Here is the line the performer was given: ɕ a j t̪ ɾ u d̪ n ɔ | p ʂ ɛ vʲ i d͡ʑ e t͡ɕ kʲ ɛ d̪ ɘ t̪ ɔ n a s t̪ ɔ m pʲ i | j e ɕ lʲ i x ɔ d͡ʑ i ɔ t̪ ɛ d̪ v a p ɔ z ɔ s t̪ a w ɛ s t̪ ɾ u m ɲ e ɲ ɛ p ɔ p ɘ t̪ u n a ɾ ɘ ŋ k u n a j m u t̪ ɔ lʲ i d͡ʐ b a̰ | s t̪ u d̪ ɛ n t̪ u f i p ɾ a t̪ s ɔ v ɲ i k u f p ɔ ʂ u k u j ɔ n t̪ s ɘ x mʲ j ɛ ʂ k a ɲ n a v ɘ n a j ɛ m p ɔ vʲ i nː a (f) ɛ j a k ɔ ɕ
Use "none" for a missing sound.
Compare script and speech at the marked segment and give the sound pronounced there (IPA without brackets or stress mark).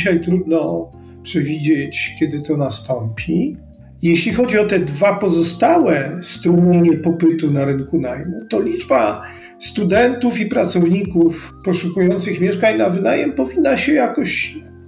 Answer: ɕ